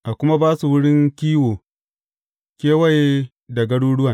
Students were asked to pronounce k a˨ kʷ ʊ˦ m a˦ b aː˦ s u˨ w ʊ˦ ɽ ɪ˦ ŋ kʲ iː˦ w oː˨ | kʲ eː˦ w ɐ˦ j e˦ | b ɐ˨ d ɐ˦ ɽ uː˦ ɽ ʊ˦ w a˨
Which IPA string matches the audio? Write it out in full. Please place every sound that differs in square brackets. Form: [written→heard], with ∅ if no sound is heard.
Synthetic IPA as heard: [k→ʔ] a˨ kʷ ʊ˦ m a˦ b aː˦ s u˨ w ʊ˦ ɽ ɪ˦ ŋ kʲ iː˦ w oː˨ | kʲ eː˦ w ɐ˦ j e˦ | [b→d] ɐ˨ [d→ɡ] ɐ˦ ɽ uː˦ ɽ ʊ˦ w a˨